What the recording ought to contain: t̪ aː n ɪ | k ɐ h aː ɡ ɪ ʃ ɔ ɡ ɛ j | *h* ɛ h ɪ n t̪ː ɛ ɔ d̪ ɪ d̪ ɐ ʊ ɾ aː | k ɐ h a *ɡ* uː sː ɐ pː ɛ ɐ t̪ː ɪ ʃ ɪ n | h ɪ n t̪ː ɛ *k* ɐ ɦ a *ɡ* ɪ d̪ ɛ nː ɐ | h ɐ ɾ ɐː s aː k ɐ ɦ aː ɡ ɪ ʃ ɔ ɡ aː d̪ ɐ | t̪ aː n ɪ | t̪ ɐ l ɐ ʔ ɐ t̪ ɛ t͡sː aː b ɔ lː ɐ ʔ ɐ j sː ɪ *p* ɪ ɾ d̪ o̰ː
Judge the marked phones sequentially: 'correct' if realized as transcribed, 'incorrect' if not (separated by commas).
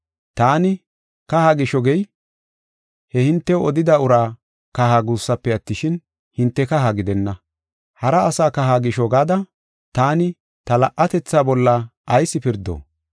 correct, correct, correct, correct, correct